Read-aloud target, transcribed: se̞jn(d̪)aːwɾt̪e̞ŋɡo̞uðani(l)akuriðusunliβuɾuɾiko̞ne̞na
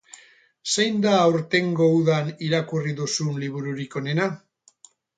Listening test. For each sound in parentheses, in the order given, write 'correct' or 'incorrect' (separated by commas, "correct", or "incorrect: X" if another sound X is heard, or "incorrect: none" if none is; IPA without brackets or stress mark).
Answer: correct, incorrect: ɾ